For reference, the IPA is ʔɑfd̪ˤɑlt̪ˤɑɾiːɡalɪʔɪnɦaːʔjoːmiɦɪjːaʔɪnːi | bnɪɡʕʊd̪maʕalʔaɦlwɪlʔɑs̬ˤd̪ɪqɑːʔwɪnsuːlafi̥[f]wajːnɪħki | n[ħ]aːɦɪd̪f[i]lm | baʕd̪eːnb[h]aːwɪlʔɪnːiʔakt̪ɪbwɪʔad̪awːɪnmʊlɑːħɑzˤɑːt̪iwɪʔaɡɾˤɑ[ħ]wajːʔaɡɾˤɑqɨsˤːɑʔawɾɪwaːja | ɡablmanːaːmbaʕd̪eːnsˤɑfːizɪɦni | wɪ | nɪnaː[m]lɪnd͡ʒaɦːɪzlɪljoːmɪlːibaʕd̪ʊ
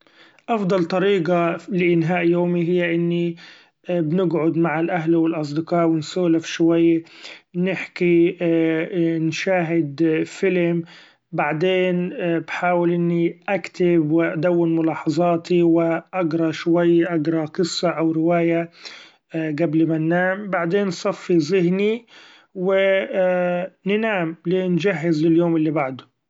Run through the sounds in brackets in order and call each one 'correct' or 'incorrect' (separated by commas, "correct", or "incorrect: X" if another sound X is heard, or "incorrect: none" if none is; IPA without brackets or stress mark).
incorrect: ʃ, incorrect: ʃ, incorrect: ɪ, incorrect: ħ, incorrect: ʃ, correct